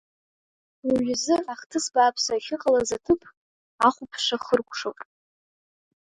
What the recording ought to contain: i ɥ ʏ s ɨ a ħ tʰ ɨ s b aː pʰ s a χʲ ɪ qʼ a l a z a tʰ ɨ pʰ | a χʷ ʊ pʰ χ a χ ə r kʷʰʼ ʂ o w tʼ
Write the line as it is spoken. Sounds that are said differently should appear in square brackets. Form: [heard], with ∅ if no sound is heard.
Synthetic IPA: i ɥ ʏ [z] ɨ a [χ] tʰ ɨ s b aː pʰ s a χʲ ɪ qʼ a l a z a tʰ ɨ pʰ | a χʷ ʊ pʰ [ʂ] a χ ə r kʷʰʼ ʂ o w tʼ